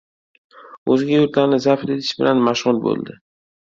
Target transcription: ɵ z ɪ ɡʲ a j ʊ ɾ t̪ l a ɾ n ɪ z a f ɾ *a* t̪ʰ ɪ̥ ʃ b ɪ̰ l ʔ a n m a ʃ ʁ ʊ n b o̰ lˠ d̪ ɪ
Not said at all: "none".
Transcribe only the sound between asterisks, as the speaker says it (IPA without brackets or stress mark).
e